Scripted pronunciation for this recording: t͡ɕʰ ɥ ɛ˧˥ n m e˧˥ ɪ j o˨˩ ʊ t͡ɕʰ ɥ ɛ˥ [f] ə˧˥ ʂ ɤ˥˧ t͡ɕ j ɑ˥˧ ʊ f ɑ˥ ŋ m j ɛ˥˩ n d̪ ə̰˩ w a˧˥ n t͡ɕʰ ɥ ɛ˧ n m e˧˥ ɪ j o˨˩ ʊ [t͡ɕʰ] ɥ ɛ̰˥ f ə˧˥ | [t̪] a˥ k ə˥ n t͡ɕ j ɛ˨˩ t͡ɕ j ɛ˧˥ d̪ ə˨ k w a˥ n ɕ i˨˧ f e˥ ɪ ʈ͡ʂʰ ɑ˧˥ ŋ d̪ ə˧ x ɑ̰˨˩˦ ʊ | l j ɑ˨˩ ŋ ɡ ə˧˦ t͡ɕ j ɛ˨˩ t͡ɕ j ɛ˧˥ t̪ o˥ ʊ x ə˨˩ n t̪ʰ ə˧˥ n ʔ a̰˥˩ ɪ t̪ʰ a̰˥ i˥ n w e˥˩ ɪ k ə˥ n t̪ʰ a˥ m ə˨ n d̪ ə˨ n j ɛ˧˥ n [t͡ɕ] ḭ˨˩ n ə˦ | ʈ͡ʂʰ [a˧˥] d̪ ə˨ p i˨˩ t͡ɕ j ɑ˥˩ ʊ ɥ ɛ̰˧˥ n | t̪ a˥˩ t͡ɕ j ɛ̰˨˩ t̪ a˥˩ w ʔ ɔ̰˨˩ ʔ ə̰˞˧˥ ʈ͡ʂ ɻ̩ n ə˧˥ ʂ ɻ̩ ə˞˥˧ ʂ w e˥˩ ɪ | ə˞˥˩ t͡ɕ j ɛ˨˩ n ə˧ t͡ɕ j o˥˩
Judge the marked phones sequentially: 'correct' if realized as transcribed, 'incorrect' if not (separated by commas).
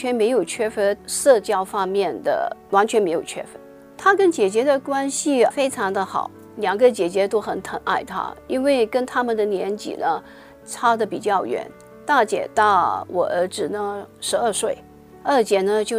correct, correct, incorrect, correct, incorrect